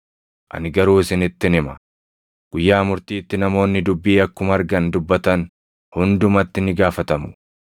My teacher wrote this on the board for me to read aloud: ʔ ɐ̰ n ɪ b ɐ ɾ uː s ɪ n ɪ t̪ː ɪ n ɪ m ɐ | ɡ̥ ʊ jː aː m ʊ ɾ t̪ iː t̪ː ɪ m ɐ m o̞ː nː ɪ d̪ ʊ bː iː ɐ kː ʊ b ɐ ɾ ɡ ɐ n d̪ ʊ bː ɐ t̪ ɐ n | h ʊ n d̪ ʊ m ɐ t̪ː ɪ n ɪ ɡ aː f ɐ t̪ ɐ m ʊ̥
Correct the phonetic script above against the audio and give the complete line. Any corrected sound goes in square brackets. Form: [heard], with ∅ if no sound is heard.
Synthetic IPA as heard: ʔ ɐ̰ n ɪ [ɡ] ɐ ɾ uː s ɪ n ɪ t̪ː ɪ n ɪ m ɐ | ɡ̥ ʊ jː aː m ʊ ɾ t̪ iː t̪ː ɪ [n] ɐ m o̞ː nː ɪ d̪ ʊ bː iː ɐ kː ʊ [m] ɐ ɾ ɡ ɐ n d̪ ʊ bː ɐ t̪ ɐ n | h ʊ n d̪ ʊ m ɐ t̪ː ɪ n ɪ ɡ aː f ɐ t̪ ɐ m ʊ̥